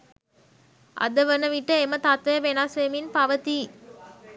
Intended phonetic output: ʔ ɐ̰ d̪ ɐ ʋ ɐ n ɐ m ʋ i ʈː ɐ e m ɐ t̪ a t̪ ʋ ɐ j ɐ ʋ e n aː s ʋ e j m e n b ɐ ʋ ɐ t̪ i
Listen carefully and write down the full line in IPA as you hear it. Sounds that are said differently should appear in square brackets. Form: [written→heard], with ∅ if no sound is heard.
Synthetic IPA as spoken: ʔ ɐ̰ d̪ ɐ ʋ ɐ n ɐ [m→∅] ʋ i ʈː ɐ e m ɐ t̪ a t̪ ʋ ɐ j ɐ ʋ e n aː s ʋ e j m [e→i] n [b→p] ɐ ʋ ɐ t̪ i